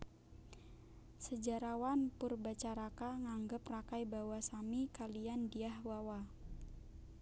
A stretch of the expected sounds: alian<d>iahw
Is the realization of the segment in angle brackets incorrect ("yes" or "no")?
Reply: no